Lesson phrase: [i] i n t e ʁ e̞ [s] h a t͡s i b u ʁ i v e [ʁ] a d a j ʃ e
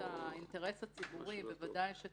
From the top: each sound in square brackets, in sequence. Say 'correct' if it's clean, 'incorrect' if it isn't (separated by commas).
incorrect, correct, incorrect